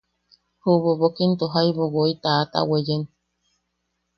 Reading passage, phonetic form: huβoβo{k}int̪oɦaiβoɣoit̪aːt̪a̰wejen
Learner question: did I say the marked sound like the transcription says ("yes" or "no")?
yes